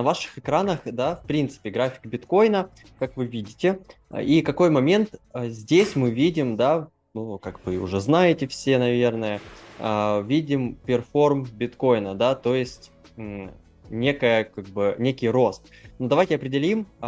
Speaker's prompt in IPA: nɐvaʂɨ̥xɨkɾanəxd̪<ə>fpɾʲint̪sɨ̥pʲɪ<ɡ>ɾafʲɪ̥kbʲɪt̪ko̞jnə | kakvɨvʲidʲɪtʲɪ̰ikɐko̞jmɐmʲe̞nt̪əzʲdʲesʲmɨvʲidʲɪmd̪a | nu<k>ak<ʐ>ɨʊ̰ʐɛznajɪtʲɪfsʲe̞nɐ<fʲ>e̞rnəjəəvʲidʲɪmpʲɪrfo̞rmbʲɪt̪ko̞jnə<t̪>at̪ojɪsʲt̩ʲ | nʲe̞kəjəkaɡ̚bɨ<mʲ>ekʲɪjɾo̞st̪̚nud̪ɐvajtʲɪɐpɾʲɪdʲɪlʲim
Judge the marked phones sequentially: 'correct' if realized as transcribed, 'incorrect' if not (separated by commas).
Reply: incorrect, correct, correct, incorrect, incorrect, incorrect, incorrect